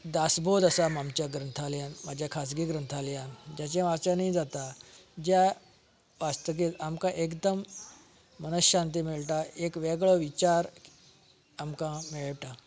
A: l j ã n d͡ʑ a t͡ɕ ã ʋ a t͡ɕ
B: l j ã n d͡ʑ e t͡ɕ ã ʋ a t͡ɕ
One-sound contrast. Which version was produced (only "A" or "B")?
A